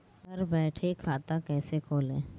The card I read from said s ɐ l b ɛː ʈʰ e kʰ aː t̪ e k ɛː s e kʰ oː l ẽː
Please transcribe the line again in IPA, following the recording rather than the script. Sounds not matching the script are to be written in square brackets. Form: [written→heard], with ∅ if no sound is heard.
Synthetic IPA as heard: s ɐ [l→ɾ] b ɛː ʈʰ e kʰ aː t̪ [e→a] k ɛː s e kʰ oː l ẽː